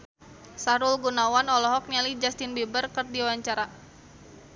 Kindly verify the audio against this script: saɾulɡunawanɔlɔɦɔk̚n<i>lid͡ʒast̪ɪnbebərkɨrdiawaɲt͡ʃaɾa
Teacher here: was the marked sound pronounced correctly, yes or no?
no